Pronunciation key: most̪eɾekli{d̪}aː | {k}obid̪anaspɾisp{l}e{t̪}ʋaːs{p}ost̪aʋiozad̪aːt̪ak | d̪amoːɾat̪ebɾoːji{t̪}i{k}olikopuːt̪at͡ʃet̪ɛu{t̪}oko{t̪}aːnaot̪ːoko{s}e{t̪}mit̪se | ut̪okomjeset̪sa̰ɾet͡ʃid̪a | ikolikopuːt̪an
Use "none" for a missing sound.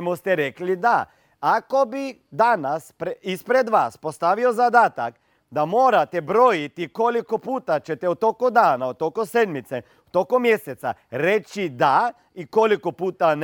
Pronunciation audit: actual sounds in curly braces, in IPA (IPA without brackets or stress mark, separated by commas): d̪, k, ɾ, d̪, p, t̪, k, t̪, d̪, s, d̪